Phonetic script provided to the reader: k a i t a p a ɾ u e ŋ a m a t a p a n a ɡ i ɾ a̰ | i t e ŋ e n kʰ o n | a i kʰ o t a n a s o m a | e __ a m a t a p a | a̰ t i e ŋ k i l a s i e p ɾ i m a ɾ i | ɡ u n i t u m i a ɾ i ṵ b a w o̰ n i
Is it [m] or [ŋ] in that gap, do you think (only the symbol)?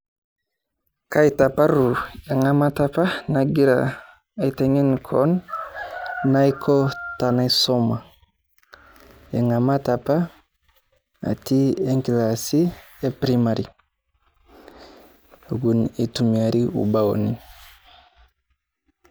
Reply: ŋ